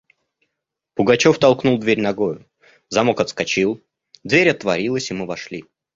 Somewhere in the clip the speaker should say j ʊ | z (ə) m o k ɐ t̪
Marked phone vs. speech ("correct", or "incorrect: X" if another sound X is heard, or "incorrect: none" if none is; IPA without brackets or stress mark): incorrect: ɐ